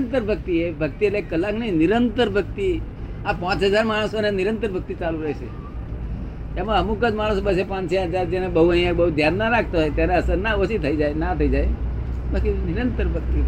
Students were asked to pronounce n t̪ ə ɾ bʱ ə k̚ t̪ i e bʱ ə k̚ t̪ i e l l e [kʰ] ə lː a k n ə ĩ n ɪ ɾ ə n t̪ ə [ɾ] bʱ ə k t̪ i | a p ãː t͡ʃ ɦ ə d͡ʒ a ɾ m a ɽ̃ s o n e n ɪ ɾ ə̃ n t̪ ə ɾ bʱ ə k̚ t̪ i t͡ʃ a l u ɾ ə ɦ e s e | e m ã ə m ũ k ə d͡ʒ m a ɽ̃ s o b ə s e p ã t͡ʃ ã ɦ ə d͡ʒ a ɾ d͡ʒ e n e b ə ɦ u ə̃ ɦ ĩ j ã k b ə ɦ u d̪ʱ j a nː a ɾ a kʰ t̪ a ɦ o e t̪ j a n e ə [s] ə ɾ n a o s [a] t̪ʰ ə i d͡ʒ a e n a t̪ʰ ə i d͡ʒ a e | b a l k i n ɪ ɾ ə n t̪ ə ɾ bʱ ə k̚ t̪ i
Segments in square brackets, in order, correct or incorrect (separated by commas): incorrect, correct, correct, incorrect